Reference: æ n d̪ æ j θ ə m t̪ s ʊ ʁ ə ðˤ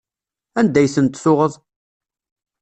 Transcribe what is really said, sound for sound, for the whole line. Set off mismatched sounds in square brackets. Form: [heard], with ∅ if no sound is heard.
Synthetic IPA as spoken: æ n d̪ æ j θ ə [n] t̪ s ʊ ʁ ə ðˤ